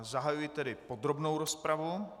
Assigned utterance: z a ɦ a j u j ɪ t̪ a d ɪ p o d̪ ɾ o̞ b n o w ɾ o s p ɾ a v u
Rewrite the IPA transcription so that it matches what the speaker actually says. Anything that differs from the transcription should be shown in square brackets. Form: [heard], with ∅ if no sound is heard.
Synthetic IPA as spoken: z a ɦ a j u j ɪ t̪ [ɛ] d ɪ p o d̪ ɾ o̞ b n o w ɾ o s p ɾ a v u